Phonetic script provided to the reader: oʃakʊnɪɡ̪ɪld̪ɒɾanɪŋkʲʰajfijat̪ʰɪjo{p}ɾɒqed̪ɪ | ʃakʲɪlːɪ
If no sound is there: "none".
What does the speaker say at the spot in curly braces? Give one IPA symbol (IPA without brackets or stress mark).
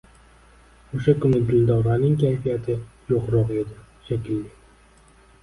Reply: q